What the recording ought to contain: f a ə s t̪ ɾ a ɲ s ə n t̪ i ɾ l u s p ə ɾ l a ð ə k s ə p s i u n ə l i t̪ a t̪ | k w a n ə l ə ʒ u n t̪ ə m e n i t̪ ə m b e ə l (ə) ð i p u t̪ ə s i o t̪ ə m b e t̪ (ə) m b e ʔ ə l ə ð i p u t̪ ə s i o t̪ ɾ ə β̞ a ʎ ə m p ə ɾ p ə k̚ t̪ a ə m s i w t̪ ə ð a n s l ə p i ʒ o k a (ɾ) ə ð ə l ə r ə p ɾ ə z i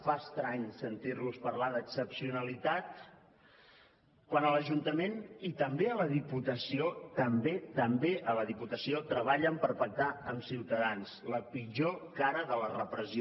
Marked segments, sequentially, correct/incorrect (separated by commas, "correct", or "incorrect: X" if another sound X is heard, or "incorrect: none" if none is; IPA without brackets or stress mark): correct, correct, correct